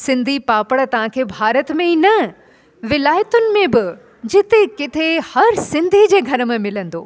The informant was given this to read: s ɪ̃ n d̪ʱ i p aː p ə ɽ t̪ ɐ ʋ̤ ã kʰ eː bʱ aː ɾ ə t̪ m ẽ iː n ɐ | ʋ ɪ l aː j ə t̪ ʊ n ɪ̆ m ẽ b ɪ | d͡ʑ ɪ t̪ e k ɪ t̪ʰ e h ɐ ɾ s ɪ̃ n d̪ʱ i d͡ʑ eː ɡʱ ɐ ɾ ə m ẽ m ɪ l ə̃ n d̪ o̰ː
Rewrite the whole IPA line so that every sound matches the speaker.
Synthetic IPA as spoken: s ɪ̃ n d̪ʱ i p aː p ə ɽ t̪ ɐ ʋ̤ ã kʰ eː bʱ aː ɾ ə t̪ m ẽ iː n ɐ | ʋ ɪ l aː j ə t̪ ʊ n ɪ̆ m ẽ b ɪ | d͡ʑ ɪ t̪ e k ɪ t̪ʰ e h ɐ ɾ s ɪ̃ n d̪ʱ i d͡ʑ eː ɡʱ ɐ ɾ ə m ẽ m ɪ l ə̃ n d̪ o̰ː